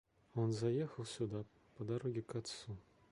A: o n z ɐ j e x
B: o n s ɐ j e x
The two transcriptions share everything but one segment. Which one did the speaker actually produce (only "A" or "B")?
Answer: A